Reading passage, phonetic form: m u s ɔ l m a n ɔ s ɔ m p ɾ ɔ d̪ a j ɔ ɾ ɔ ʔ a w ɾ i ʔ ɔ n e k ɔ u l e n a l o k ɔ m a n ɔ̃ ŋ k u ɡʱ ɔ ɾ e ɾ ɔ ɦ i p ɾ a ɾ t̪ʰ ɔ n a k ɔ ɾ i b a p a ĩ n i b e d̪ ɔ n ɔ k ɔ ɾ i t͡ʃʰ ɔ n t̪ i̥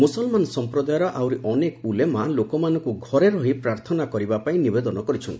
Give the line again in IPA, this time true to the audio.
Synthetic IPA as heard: m u s ɔ l m a n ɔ s ɔ m p ɾ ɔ d̪ a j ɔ ɾ ɔ ʔ a w ɾ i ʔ ɔ n e k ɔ u l e m a l o k ɔ m a n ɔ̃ ŋ k u ɡʱ ɔ ɾ e ɾ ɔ ɦ i p ɾ a ɾ t̪ʰ ɔ n a k ɔ ɾ i b a p a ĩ n i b e d̪ ɔ n ɔ k ɔ ɾ i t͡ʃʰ ɔ n t̪ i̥